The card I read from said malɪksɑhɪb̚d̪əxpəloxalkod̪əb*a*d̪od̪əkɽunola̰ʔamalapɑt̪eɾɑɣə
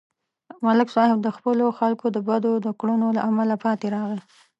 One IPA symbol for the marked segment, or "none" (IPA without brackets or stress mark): a